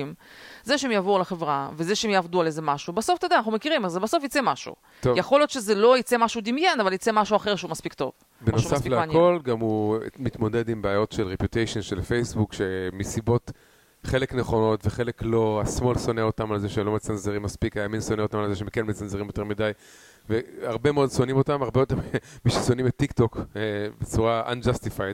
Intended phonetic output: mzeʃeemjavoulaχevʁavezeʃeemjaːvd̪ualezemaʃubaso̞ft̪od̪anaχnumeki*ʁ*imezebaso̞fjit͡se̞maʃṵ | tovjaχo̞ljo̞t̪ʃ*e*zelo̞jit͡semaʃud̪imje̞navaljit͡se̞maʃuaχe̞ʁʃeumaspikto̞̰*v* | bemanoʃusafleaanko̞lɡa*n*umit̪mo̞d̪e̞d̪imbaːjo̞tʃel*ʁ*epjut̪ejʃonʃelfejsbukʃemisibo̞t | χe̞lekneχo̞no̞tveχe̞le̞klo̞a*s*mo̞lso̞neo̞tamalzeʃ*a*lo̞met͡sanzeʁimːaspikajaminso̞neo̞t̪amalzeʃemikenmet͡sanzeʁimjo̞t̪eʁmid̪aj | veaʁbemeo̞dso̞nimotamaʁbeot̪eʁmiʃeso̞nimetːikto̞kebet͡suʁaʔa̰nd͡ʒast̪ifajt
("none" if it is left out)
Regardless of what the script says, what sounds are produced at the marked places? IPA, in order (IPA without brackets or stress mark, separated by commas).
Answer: ʁ, e, v, m, ʁ, s, e